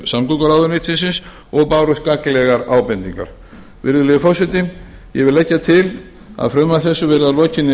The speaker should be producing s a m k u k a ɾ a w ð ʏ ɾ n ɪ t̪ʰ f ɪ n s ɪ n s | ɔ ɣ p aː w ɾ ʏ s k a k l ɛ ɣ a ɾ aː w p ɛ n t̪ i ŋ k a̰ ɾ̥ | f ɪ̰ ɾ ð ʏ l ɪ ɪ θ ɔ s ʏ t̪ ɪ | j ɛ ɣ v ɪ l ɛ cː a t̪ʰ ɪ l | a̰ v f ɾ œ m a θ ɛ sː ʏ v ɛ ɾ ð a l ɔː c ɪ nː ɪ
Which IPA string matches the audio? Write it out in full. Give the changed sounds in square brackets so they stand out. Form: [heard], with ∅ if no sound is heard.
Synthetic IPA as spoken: s a m k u k a ɾ a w ð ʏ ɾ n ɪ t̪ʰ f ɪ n s ɪ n s | ɔ ɣ p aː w ɾ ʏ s k a k l ɛ ɣ a ɾ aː w p ɛ n t̪ i ŋ k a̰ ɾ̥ | [v] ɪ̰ ɾ ð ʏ l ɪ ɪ [f] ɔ s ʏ t̪ ɪ | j ɛ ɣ v ɪ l ɛ cː a t̪ʰ ɪ l | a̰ [ð] f ɾ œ m a θ ɛ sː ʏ v ɛ ɾ ð a l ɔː c ɪ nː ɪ